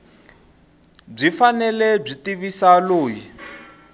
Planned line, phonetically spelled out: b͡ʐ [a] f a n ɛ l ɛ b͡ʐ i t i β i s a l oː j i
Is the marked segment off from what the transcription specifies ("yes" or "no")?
yes